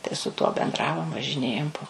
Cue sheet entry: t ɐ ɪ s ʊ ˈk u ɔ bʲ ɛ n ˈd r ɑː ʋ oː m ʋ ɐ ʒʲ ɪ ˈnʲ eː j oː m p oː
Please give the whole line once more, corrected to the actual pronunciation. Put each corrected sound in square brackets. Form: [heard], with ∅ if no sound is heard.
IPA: t ɐ ɪ s ʊ [ˈt] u ɔ bʲ ɛ n ˈd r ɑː ʋ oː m ʋ ɐ ʒʲ ɪ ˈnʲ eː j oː m p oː